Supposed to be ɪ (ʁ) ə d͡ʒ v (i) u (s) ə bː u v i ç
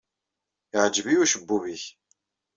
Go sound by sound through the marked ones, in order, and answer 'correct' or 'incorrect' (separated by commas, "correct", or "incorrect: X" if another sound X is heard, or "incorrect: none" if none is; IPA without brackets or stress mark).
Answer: incorrect: ʕ, correct, incorrect: ʃ